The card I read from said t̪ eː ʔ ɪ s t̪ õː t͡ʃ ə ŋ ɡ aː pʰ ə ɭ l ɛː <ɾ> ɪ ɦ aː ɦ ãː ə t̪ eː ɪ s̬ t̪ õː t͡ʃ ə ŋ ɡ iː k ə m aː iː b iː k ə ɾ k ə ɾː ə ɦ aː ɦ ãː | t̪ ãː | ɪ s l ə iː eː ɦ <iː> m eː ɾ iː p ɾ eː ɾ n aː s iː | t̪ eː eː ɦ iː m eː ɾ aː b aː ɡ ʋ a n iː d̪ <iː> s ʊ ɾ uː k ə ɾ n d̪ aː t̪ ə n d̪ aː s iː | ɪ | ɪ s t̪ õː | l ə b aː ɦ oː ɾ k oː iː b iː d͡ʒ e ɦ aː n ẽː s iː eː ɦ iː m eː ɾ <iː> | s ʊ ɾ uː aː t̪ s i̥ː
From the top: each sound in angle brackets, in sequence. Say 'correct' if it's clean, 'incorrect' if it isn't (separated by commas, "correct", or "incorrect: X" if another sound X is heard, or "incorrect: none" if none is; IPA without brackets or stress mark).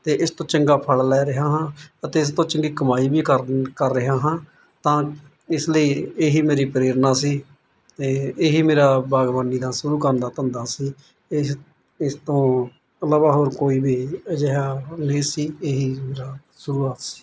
correct, correct, incorrect: aː, incorrect: aː